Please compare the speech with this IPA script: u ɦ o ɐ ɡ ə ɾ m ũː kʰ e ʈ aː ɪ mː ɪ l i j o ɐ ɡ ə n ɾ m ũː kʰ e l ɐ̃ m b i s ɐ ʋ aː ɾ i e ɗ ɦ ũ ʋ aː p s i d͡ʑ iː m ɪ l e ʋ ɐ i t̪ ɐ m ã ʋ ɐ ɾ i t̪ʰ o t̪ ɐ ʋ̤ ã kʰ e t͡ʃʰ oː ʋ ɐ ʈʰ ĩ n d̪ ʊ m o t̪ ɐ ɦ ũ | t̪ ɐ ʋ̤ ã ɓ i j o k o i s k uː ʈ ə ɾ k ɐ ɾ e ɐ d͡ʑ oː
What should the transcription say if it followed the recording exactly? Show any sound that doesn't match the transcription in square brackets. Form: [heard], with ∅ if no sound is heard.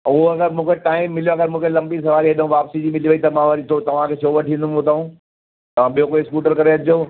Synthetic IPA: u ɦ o ɐ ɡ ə ɾ m ũː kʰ e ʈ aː ɪ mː ɪ l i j o ɐ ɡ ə [∅] ɾ m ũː kʰ e l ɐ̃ m b i s ɐ ʋ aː ɾ i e ɗ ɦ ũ ʋ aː p s i d͡ʑ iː m ɪ l [i] ʋ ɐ i t̪ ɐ m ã ʋ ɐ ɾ i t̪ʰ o t̪ ɐ ʋ̤ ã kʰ e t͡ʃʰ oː ʋ ɐ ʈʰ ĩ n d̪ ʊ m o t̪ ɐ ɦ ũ | t̪ ɐ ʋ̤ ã ɓ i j o k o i s k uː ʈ ə ɾ k ɐ ɾ e ɐ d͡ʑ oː